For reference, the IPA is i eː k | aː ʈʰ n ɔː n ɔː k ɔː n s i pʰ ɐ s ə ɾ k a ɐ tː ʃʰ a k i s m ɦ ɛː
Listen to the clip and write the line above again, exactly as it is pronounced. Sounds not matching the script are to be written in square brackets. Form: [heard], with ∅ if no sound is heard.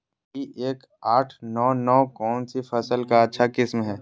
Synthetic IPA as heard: i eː k | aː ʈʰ n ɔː n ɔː k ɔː n s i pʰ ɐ s ə [l] k a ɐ tː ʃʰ a k [ɪ] s m ɦ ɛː